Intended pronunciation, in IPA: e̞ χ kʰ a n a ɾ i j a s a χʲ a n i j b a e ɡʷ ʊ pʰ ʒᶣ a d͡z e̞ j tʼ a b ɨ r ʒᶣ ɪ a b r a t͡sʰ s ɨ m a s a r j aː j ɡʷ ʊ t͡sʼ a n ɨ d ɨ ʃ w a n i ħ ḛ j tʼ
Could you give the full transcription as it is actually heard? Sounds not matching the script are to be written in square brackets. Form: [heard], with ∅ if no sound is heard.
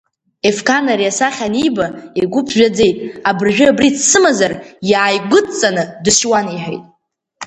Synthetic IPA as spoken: e̞ [f] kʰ a n a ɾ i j a s a χʲ a n i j b a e ɡʷ ʊ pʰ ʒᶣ a d͡z e̞ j tʼ a b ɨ r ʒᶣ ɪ a b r [i] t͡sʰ s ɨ m a [z] a r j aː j ɡʷ ʊ t͡sʼ a n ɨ d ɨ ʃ w a n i ħ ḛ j tʼ